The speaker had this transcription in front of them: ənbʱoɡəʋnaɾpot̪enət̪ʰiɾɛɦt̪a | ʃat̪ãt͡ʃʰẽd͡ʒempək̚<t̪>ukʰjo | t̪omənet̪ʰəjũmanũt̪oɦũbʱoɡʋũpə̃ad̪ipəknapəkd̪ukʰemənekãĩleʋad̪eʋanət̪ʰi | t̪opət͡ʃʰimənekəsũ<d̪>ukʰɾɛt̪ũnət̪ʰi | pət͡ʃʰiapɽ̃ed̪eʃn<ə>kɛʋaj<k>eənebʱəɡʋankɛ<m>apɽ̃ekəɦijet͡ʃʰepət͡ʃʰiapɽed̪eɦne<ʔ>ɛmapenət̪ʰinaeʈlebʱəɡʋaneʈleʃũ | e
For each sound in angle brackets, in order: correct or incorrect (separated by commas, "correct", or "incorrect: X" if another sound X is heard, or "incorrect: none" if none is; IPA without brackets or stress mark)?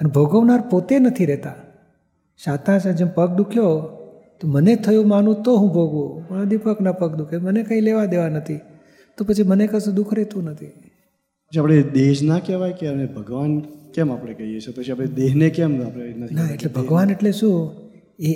incorrect: d̪, correct, incorrect: a, correct, correct, incorrect: k